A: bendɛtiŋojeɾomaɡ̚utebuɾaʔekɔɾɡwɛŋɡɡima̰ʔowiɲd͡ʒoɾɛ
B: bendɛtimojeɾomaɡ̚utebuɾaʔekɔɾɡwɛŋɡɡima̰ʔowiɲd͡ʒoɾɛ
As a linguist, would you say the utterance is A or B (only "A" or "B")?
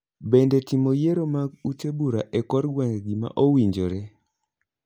B